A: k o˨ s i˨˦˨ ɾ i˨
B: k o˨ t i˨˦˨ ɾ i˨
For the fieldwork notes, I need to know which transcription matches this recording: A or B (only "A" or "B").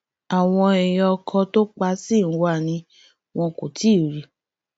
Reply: B